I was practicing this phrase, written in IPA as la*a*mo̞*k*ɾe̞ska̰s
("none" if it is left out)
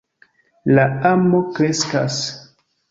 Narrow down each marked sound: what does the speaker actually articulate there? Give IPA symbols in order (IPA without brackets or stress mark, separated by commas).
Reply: a, k